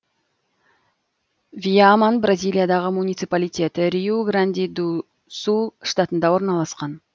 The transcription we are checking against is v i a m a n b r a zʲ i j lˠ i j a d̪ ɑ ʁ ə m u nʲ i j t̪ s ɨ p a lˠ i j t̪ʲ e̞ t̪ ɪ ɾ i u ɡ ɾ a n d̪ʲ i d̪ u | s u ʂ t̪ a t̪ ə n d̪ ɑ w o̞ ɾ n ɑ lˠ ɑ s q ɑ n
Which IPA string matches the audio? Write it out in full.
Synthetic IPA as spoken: v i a m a n b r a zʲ i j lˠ i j a d̪ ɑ ʁ ə m u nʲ i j t̪ s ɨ p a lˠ i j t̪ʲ e̞ t̪ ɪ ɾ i u ɡ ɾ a n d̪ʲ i d̪ u | s u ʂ t̪ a t̪ ə n d̪ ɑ w o̞ ɾ n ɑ lˠ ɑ s q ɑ n